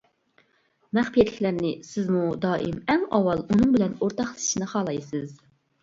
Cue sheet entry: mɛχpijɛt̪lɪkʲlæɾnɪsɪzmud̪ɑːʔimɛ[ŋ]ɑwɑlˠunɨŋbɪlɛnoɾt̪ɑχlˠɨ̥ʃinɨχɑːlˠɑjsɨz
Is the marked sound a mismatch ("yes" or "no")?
no